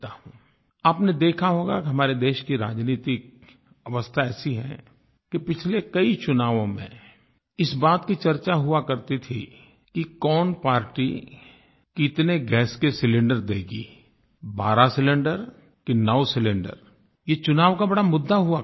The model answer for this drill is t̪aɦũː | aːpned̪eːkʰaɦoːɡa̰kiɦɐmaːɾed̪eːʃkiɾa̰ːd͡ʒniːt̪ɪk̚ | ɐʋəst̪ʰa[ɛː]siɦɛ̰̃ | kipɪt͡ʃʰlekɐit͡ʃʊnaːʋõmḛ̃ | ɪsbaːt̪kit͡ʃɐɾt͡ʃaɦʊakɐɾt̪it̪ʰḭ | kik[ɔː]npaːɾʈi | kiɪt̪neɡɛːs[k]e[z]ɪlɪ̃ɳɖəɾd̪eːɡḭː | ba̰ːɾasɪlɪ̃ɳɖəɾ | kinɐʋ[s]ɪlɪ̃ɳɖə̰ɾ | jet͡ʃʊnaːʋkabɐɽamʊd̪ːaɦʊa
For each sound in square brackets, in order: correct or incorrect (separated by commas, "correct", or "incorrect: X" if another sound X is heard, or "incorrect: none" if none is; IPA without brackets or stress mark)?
correct, correct, correct, incorrect: s, correct